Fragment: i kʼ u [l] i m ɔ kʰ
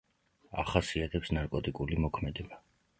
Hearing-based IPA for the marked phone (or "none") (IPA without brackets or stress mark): l